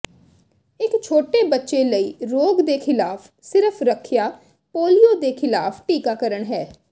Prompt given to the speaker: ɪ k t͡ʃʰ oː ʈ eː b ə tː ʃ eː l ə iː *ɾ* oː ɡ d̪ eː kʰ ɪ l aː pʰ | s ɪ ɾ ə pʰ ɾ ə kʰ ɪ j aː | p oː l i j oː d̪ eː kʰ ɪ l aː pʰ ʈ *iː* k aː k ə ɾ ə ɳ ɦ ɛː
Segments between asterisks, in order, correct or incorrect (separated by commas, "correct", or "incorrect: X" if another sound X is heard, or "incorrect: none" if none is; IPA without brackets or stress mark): correct, correct